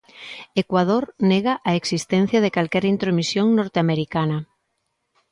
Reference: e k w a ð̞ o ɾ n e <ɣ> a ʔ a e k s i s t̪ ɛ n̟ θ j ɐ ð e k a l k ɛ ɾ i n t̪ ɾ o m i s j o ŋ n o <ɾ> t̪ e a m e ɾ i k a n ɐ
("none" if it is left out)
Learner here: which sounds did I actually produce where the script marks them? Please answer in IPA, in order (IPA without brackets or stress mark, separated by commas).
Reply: ɣ, ɾ